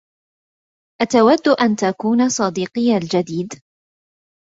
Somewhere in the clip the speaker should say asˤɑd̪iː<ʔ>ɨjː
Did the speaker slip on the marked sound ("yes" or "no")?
yes